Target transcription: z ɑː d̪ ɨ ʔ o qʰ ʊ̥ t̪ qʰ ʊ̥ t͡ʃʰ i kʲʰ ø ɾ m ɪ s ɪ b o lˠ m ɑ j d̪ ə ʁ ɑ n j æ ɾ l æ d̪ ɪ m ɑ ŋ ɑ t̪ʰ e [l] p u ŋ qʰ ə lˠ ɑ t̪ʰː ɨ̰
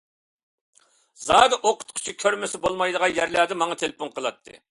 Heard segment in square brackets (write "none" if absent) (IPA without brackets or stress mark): l